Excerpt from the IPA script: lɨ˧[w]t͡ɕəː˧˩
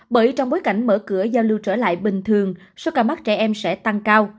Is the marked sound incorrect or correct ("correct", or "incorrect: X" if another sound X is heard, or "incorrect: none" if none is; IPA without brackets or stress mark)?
correct